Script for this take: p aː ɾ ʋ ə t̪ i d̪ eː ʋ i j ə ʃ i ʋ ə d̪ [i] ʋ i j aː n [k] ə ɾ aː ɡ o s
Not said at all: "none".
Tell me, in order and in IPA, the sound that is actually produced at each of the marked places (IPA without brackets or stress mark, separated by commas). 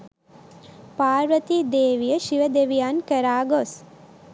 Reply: e, k